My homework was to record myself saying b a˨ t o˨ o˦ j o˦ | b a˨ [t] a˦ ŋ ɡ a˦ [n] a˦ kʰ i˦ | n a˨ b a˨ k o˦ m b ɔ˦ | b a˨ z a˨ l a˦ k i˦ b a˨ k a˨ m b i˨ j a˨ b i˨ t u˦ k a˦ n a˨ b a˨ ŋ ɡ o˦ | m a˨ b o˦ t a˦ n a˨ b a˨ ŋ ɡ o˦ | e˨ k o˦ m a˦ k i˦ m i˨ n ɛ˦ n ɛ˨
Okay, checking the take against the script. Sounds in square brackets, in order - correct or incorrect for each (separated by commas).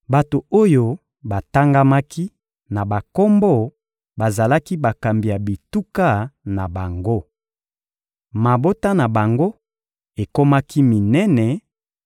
correct, incorrect